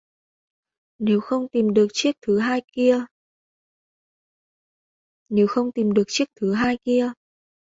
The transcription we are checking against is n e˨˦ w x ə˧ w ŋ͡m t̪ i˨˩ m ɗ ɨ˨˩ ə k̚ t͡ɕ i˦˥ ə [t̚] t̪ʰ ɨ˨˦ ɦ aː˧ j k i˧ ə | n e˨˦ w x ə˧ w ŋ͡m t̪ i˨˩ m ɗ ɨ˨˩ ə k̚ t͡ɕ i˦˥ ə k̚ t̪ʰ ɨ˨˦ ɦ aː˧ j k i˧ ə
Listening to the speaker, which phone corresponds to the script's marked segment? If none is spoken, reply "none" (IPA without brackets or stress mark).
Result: k̚